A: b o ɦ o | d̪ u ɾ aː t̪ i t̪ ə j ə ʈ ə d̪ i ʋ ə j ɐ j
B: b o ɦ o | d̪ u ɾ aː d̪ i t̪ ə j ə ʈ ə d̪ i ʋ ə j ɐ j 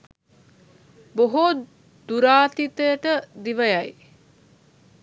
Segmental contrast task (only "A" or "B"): A